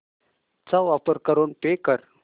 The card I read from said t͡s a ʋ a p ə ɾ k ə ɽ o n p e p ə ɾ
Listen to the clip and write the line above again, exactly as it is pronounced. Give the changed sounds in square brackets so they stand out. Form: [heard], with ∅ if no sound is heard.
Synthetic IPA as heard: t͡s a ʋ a p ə ɾ k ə [ɾ] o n p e [k] ə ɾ